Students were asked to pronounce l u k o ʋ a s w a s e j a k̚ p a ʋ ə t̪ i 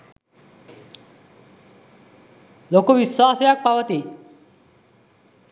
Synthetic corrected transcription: l o k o ʋ i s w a s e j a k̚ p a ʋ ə t̪ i